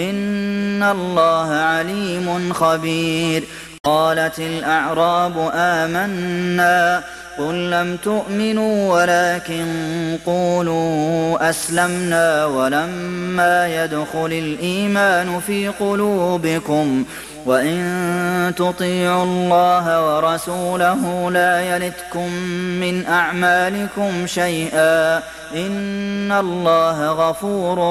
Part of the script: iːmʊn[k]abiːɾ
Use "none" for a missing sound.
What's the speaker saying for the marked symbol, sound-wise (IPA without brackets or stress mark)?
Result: x